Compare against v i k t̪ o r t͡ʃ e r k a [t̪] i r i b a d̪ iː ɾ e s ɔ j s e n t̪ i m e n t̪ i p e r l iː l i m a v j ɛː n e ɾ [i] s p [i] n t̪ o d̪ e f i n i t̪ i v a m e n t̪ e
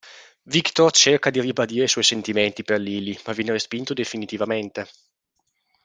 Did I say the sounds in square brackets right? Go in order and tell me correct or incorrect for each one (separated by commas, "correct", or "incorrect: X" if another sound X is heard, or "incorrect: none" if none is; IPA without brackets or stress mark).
incorrect: d̪, incorrect: e, correct